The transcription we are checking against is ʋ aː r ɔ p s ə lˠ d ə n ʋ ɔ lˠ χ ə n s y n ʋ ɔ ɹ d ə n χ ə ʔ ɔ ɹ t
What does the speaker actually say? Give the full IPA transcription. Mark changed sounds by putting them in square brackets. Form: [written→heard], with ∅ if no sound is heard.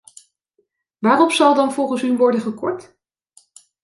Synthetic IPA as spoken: ʋ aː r ɔ p s [ə→ɑ] lˠ d [ə→ɑ] n [ʋ→v] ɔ lˠ χ ə n s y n ʋ ɔ ɹ d ə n χ ə [ʔ→k] ɔ ɹ t